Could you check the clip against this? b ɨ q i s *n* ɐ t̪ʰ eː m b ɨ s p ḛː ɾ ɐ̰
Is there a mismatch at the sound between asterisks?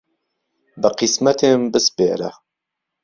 yes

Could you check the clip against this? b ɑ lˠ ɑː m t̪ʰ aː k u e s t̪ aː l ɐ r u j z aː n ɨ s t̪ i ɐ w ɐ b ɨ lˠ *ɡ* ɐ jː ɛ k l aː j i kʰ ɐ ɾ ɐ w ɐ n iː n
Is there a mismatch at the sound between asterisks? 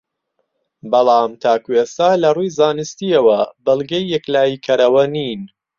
no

